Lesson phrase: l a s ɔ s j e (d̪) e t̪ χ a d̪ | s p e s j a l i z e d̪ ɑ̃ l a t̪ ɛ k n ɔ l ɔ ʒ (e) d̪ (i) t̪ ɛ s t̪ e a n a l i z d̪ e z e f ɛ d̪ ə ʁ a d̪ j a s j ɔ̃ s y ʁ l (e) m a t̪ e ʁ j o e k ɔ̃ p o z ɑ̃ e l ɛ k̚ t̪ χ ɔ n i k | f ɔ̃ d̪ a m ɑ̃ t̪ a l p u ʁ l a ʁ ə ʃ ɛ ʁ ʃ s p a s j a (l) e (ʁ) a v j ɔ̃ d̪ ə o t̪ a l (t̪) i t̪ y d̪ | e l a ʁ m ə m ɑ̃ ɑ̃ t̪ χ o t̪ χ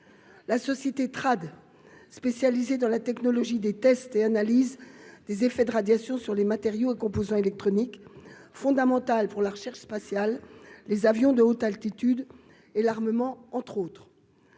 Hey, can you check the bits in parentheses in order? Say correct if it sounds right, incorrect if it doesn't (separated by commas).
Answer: incorrect, incorrect, incorrect, correct, incorrect, incorrect, correct